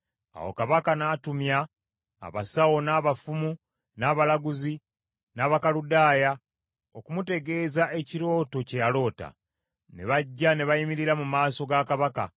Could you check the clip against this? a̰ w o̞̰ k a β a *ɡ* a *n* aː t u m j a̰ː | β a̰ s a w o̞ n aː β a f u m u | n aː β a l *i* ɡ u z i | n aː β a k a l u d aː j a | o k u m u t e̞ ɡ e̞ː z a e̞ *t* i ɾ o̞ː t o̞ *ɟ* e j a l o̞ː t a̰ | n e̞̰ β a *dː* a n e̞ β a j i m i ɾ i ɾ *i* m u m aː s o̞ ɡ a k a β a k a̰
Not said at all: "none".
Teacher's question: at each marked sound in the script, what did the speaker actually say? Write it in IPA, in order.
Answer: k, n, a, c, c, ɟː, a

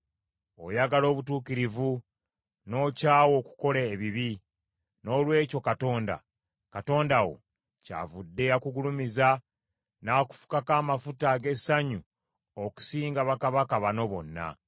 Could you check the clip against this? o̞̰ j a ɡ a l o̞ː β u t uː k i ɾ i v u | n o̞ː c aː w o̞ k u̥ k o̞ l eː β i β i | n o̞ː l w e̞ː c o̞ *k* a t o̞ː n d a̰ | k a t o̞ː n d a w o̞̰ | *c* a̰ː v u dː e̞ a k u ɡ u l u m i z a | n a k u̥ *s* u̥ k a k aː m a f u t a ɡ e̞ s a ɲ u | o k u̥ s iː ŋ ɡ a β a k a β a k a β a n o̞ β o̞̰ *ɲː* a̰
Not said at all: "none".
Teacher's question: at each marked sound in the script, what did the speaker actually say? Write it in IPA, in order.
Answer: k, c, f, nː

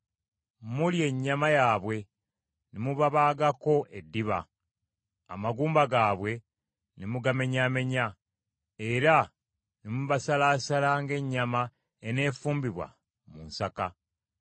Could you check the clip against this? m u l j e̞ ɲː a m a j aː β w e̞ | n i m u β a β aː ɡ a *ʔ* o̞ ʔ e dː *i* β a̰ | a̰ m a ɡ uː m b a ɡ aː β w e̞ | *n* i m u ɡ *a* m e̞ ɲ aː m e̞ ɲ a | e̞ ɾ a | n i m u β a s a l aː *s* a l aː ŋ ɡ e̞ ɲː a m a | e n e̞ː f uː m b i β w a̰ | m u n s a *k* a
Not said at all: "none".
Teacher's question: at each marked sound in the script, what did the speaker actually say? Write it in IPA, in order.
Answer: k, i, n, a, s, k

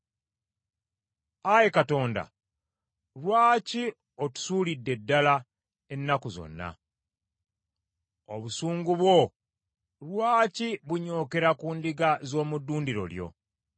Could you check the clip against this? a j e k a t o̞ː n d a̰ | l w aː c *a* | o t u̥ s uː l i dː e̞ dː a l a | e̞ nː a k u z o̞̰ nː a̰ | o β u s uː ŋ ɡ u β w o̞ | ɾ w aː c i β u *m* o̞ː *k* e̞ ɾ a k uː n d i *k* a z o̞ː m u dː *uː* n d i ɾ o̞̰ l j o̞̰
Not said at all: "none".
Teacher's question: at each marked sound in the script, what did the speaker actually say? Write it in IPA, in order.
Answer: i, ɲ, k, ɡ, uː

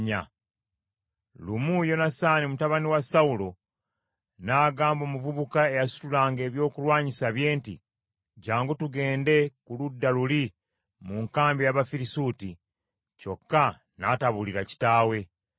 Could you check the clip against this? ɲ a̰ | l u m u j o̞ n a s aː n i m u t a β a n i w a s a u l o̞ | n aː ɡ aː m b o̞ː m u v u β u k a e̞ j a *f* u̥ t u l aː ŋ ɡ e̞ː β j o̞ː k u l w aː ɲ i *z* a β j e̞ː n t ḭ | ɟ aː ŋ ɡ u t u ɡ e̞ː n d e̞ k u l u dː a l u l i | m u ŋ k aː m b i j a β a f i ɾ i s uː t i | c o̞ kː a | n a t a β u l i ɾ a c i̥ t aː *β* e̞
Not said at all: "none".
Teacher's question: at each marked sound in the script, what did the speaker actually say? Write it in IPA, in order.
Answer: s, s, w

